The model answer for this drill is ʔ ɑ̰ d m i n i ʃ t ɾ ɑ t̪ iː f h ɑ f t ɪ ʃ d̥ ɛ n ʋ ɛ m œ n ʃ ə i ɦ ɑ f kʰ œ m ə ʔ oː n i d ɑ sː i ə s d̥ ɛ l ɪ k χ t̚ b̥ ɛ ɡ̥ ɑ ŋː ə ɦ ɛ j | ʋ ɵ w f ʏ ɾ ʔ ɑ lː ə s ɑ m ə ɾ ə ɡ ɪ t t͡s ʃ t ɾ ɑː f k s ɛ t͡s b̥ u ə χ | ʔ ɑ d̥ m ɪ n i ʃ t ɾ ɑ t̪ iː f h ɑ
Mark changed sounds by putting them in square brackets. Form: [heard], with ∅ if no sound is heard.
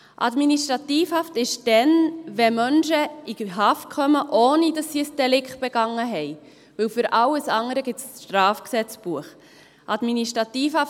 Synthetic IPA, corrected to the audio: ʔ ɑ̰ d m i n i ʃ t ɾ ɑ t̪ iː f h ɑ f t ɪ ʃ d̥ ɛ n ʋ ɛ m œ n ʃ ə i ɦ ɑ f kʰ œ m ə ʔ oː n i d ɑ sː i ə s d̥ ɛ l ɪ k χ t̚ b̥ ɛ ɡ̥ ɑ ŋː ə ɦ ɛ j | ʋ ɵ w f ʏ ɾ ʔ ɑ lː ə s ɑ [ŋ] ə ɾ ə ɡ ɪ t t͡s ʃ t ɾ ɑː f k s ɛ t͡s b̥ u ə χ | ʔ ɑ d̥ m [i] n i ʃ t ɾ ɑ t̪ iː f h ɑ